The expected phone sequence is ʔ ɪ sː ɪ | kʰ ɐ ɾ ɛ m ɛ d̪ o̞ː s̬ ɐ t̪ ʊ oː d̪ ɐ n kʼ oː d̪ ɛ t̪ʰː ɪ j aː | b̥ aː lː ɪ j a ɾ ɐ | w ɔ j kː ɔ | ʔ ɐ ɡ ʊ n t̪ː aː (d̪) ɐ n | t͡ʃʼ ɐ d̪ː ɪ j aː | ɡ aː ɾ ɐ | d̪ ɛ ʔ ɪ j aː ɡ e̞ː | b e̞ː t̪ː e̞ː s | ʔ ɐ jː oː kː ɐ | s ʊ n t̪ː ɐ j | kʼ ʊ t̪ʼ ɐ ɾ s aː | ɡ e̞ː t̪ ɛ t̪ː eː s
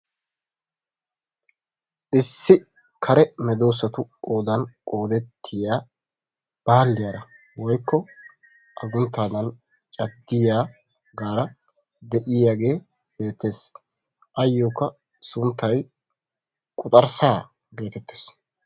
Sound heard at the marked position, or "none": d̪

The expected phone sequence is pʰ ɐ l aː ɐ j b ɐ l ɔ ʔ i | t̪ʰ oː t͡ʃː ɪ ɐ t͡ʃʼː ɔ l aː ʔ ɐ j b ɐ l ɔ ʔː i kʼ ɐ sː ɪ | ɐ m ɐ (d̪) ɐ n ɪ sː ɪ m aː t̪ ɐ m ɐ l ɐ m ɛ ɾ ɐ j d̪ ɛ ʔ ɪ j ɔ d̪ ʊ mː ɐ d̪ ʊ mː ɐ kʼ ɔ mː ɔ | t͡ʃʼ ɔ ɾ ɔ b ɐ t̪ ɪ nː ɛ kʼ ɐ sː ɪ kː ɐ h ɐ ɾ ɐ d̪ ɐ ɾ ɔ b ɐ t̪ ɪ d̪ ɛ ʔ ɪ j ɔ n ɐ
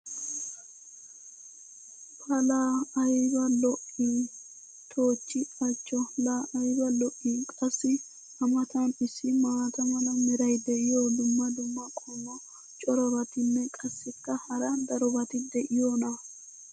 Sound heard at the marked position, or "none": t̪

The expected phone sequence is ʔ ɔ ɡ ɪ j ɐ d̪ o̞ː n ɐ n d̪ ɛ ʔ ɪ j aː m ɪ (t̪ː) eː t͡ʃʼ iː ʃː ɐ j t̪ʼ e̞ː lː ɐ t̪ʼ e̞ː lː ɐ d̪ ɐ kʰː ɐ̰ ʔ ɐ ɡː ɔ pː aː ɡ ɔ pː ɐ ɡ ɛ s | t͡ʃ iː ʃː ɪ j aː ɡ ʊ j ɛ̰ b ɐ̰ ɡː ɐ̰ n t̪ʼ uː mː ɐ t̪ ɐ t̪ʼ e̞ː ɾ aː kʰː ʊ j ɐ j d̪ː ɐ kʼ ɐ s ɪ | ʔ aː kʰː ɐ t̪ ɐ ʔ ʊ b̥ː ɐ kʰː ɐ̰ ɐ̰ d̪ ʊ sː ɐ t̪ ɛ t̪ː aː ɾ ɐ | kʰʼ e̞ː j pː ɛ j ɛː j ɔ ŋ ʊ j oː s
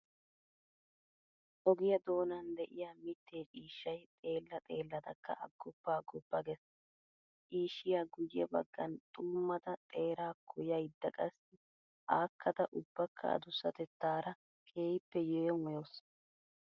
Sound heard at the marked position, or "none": t̪ː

